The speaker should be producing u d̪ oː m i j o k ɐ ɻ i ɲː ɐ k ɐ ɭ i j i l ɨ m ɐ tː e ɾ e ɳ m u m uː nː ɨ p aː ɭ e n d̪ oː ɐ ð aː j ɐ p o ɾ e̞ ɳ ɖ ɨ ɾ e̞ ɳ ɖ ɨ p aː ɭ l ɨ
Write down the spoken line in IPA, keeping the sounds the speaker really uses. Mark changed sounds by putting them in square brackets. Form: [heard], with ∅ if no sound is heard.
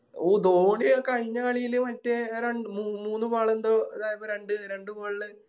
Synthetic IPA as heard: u d̪ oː [ɳ] i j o k ɐ ɻ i ɲː ɐ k ɐ ɭ i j i l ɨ m ɐ tː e ɾ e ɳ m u m uː nː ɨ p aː ɭ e n d̪ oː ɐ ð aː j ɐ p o ɾ e̞ ɳ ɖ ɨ ɾ e̞ ɳ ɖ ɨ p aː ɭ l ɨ